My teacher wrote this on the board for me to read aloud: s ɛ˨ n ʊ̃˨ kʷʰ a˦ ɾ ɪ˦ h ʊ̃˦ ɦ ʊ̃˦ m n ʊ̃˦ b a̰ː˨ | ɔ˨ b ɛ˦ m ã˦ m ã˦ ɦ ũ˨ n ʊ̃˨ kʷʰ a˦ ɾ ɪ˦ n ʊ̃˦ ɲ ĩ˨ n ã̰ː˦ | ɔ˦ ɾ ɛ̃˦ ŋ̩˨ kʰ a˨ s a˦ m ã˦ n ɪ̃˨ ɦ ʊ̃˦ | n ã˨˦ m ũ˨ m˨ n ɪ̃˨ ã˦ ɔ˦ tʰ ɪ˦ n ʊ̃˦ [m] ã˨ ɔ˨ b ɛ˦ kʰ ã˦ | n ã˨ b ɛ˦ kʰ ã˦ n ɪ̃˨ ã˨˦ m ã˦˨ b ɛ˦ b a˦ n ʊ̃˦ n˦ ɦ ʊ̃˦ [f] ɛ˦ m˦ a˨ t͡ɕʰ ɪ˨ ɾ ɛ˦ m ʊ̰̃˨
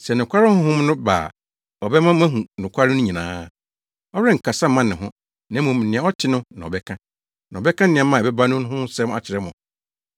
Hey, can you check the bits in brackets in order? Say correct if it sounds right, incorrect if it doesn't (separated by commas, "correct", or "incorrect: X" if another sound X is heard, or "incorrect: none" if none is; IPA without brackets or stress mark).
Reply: incorrect: n, incorrect: s